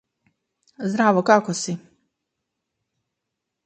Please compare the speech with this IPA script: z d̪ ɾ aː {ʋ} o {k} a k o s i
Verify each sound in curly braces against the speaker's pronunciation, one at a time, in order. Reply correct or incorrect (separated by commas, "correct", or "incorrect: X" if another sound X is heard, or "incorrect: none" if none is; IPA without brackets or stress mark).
correct, correct